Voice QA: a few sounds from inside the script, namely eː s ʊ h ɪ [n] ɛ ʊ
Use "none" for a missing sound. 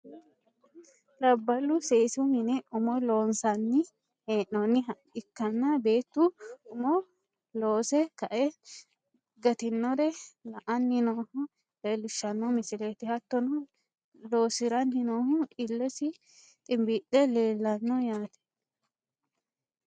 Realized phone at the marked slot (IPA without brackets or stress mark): n